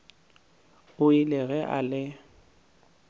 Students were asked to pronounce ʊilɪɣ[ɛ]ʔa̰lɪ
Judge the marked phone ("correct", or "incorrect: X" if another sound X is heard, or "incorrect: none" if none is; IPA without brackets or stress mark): correct